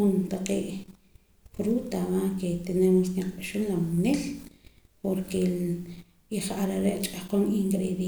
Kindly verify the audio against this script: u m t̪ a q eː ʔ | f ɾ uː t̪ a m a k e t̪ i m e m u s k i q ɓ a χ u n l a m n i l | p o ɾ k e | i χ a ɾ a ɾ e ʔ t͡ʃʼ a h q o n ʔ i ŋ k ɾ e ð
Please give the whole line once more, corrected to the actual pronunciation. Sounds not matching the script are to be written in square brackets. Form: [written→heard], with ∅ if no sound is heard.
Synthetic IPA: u [m→n] t̪ a q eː ʔ | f ɾ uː t̪ a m a k e t̪ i [m→n] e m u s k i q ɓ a [χ→ʃ] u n l a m n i l | p o ɾ k e | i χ a ɾ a ɾ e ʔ t͡ʃʼ a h q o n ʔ i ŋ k ɾ e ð